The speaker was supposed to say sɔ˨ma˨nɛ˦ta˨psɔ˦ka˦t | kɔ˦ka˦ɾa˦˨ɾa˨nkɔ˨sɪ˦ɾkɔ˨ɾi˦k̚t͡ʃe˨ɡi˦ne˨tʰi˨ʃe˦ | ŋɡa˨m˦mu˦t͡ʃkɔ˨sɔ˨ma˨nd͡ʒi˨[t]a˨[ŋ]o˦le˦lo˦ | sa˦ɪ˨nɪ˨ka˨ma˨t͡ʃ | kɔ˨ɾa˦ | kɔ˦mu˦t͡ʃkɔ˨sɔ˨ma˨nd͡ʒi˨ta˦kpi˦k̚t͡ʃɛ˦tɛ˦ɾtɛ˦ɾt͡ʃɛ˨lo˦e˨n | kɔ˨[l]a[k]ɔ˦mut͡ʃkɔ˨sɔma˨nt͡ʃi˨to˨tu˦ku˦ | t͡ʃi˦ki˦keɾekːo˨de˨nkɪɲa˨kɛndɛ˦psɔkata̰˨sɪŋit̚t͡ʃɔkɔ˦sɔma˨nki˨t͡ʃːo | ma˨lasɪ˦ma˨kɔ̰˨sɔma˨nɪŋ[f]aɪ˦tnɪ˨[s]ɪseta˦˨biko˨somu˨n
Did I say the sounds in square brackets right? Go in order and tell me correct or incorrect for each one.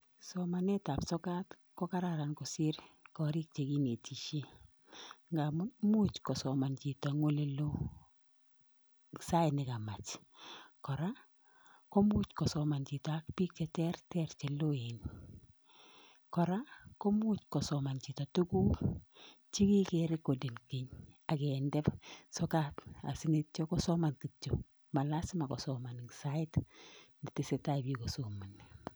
correct, correct, incorrect: ɾ, correct, incorrect: s, incorrect: t

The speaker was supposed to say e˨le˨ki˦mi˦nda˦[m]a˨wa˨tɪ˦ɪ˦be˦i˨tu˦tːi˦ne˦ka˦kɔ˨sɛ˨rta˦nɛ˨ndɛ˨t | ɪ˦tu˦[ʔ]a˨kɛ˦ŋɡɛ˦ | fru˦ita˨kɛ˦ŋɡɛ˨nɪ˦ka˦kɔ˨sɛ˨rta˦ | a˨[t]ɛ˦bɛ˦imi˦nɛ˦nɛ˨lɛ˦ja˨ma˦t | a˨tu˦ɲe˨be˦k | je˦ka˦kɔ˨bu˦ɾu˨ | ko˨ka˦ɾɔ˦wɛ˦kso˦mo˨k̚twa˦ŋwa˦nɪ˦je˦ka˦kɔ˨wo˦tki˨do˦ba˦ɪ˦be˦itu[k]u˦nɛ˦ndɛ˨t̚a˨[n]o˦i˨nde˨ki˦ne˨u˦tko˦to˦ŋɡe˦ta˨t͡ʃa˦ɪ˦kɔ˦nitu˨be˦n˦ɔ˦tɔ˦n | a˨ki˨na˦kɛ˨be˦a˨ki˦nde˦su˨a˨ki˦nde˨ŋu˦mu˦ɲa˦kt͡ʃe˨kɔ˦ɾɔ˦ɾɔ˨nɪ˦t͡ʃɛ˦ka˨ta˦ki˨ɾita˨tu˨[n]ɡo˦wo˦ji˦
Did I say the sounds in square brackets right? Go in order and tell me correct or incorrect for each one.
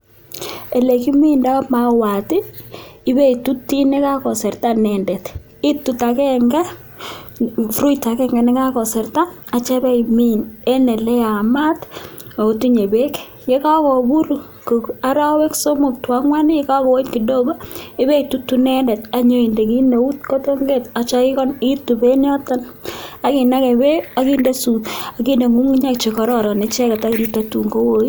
correct, incorrect: t, incorrect: t͡ʃ, incorrect: t, incorrect: ɲ, incorrect: ŋ

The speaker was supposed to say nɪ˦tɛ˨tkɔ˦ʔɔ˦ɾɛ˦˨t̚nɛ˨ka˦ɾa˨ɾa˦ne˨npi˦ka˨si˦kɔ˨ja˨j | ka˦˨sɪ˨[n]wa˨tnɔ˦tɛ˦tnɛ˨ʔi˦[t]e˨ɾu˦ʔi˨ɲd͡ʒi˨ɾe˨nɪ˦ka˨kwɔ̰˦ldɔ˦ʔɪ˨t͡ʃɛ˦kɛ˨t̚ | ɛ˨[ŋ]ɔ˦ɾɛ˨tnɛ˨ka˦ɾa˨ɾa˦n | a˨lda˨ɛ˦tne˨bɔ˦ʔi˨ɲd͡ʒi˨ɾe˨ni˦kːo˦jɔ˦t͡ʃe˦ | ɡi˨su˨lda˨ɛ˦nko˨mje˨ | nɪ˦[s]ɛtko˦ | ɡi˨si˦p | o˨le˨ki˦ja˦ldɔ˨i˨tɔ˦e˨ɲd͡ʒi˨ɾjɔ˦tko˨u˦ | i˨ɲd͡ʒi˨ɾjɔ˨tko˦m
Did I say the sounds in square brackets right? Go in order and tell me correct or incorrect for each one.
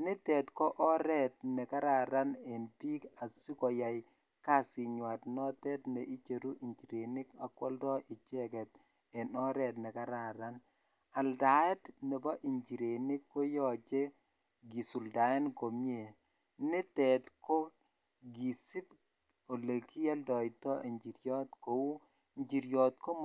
incorrect: ɲ, incorrect: t͡ʃ, incorrect: n, incorrect: t

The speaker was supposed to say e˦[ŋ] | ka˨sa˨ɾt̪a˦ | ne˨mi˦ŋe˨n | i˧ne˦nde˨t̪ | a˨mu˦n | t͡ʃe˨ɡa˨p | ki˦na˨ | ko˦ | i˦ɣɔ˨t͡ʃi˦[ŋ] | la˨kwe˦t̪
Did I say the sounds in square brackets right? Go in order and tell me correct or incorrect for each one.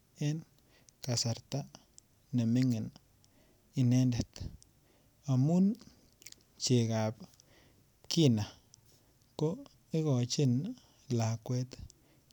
incorrect: n, incorrect: n

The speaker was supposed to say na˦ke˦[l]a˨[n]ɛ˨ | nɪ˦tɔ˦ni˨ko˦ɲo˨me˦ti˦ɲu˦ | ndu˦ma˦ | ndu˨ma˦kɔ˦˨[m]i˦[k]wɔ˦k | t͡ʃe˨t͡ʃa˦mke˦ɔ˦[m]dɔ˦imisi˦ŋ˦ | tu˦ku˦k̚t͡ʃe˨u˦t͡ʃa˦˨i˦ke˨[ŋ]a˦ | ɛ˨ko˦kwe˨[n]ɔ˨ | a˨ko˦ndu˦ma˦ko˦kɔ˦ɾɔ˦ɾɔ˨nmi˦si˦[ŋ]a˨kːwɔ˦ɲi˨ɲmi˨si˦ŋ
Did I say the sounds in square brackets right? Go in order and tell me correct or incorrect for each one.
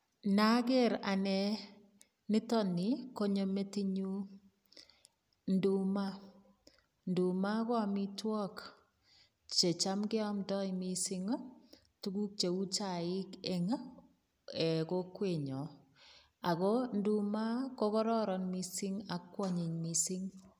incorrect: ɾ, correct, correct, incorrect: t, correct, correct, incorrect: ɲ, correct

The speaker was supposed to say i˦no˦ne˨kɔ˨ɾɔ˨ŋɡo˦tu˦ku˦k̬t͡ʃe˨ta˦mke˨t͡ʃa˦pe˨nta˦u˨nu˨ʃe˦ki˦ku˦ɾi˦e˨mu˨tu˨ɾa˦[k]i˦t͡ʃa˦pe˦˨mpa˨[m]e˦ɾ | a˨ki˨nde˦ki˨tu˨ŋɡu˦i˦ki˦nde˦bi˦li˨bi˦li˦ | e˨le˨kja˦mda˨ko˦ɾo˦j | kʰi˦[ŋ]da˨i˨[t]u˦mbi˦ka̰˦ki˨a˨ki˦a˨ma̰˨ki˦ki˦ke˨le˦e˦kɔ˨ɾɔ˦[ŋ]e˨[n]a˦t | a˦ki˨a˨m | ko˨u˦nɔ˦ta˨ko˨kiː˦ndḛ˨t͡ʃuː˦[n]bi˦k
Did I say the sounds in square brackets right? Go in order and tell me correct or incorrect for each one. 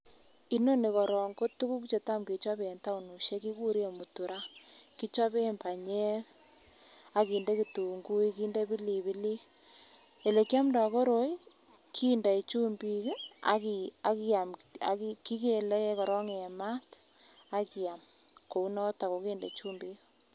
correct, incorrect: ɲ, incorrect: n, incorrect: t͡ʃ, correct, incorrect: m, incorrect: m

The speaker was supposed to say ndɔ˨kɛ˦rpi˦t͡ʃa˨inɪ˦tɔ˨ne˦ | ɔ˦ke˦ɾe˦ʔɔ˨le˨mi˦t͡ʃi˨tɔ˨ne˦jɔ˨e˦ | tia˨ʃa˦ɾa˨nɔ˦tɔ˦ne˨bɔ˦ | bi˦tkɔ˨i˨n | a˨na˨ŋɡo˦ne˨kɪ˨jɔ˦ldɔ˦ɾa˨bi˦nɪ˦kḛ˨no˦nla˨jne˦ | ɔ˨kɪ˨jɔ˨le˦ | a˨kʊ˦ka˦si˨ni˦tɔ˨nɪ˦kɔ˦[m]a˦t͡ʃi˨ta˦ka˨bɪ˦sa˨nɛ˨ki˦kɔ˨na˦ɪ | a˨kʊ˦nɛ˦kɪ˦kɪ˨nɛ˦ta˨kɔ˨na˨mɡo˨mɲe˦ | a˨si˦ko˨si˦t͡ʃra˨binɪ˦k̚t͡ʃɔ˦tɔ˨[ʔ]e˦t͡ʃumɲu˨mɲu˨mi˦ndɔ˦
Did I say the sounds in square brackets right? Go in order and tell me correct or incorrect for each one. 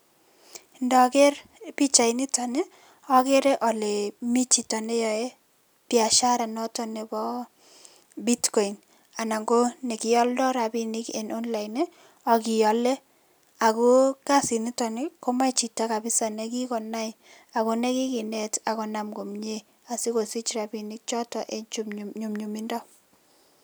correct, correct

